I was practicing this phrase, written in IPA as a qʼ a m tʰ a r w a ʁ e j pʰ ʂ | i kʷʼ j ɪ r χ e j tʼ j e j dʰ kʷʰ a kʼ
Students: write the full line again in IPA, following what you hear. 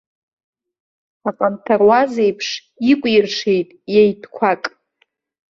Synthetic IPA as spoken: a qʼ a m tʰ a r w a z e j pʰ ʂ | i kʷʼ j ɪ r ʂ e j tʼ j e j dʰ kʷʰ a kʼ